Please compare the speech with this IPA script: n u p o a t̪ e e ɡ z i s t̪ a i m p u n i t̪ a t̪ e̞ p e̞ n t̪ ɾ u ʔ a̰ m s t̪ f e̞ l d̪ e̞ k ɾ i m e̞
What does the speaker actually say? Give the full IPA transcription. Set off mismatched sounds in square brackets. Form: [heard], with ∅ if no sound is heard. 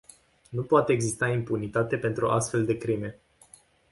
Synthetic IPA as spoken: n u p o a t̪ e e ɡ z i s t̪ a i m p u n i t̪ a t̪ e̞ p e̞ n t̪ ɾ u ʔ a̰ [∅] s t̪ f e̞ l d̪ e̞ k ɾ i m e̞